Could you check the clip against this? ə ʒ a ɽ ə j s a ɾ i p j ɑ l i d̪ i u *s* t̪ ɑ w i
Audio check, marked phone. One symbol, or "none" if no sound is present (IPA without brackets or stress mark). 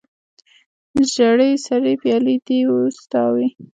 s